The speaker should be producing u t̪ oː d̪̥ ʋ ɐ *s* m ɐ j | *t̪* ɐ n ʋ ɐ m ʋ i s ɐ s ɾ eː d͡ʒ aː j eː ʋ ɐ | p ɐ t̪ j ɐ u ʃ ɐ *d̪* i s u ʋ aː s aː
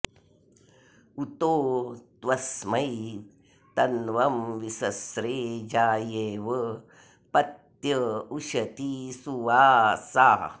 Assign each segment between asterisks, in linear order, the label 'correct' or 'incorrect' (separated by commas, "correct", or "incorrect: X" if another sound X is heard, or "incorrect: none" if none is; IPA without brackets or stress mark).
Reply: correct, correct, incorrect: t̪